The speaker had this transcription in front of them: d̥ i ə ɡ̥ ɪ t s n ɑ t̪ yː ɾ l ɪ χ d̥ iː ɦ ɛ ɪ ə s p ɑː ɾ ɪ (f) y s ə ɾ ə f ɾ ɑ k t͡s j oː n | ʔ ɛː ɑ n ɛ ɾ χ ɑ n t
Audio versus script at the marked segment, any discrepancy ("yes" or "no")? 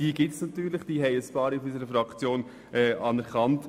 no